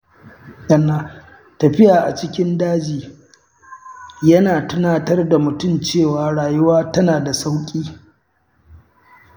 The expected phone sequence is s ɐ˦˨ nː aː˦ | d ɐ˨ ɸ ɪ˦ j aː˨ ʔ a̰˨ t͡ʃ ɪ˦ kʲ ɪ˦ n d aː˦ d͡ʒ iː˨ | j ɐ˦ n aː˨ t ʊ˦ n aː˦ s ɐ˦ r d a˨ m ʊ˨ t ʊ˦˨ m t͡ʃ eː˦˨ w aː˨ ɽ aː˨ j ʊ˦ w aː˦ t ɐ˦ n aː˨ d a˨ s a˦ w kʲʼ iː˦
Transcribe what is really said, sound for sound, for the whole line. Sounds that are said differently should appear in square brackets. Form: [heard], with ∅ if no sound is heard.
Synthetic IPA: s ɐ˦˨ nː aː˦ | [t] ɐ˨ ɸ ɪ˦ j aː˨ ʔ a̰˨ t͡ʃ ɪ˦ kʲ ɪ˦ n d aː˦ d͡ʒ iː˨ | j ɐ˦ n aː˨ t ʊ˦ n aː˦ [t] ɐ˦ r d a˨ m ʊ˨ t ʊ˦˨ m t͡ʃ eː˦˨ w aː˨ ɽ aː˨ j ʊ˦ w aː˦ t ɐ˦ n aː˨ d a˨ s a˦ w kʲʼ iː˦